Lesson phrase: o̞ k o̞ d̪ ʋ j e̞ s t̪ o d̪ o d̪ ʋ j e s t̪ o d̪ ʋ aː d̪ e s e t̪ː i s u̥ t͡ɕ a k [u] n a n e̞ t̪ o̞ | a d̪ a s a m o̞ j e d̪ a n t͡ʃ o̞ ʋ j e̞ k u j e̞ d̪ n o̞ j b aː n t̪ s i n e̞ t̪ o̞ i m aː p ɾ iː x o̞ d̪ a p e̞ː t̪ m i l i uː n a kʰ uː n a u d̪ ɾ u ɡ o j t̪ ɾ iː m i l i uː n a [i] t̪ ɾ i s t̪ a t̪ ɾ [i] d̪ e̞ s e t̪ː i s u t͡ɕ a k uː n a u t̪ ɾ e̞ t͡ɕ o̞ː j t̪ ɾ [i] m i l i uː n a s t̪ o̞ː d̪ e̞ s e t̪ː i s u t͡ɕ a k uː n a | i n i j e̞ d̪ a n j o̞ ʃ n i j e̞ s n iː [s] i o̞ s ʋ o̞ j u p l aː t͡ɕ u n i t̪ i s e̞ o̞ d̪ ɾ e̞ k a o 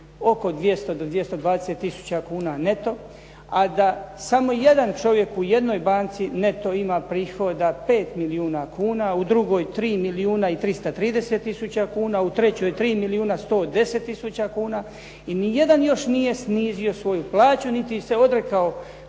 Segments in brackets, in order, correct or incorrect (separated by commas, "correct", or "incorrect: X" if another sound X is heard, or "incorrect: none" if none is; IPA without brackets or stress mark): incorrect: uː, correct, incorrect: iː, incorrect: iː, incorrect: z